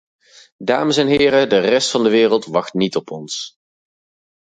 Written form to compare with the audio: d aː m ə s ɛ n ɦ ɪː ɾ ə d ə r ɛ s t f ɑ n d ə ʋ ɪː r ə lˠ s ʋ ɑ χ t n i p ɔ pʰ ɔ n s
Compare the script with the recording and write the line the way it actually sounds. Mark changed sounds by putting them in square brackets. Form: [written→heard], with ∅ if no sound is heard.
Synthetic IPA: d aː m ə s ɛ n ɦ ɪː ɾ ə d ə r ɛ s t f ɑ n d ə ʋ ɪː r ə lˠ [s→t] ʋ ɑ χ t n i [p→t] ɔ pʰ ɔ n s